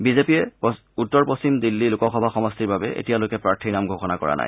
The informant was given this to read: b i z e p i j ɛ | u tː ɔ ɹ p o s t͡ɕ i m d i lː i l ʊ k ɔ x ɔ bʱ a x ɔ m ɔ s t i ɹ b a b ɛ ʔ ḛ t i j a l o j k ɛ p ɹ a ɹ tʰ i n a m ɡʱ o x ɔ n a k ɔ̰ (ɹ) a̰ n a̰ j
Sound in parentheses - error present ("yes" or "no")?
no